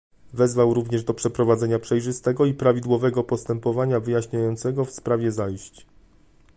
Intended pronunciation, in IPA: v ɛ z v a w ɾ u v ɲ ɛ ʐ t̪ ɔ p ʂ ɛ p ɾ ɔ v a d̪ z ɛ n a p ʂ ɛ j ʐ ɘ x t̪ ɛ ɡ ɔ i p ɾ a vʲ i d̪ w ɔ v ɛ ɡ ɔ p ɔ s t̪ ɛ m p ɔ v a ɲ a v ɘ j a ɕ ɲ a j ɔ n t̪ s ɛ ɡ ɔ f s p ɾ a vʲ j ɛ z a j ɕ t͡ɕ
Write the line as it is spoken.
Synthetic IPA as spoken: v ɛ z v a w ɾ u v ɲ ɛ ʐ d̪ ɔ p ʂ ɛ p ɾ ɔ v a d̪ z ɛ ɲ a p ʂ ɛ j ʐ ɘ s t̪ ɛ ɡ ɔ i p ɾ a vʲ i d̪ w ɔ v ɛ ɡ ɔ p ɔ s t̪ ɛ m p ɔ v a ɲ a v ɘ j a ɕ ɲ a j ɔ n t̪ s ɛ ɡ ɔ f s p ɾ a vʲ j ɛ z a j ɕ t͡ɕ